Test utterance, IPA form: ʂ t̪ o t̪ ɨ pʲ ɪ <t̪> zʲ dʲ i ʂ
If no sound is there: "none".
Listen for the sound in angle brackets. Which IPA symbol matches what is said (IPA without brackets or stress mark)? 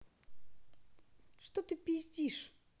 none